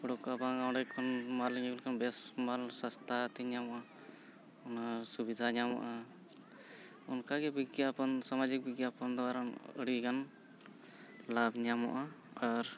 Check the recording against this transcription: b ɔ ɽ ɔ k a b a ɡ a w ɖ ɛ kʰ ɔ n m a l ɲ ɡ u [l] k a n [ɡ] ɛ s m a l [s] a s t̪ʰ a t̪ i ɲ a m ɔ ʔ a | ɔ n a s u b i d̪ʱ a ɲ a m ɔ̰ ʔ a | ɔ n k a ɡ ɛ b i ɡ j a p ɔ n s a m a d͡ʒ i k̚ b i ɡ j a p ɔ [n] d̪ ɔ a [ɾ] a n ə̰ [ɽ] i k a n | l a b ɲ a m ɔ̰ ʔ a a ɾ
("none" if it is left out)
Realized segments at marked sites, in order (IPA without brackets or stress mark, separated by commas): l, b, s, n, ɾ, ɽ